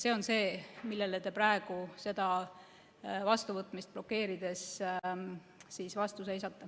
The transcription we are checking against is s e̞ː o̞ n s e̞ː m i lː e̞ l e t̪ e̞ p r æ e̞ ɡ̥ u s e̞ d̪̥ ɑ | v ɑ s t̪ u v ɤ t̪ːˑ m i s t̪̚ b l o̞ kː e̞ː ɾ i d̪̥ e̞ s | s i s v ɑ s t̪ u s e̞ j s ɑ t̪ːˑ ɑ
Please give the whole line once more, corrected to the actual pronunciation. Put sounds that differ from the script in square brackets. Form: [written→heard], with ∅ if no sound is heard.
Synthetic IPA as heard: s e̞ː o̞ n s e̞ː m i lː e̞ l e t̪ e̞ p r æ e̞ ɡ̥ u s e̞ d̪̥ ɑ | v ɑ s t̪ u v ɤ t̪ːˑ m i s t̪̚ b l o̞ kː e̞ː ɾ i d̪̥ e̞ s | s i s v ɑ s t̪ u s e̞ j s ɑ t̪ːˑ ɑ